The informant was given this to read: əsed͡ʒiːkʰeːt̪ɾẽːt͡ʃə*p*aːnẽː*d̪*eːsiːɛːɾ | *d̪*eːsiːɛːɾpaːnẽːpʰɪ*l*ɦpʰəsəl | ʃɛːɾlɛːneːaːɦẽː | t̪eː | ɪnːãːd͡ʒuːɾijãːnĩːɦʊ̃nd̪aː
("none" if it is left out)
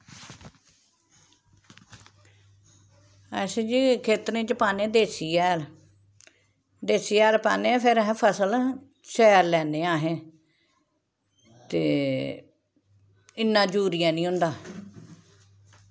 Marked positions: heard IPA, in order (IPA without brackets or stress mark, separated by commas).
p, d̪, d̪, ɾ